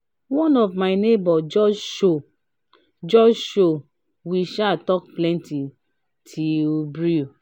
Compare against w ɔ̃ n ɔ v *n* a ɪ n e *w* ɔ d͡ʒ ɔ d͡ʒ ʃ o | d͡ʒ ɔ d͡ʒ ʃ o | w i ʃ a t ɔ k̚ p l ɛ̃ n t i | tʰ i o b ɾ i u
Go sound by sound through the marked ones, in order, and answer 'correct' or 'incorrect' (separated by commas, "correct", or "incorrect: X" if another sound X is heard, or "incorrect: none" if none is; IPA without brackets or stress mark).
incorrect: m, incorrect: b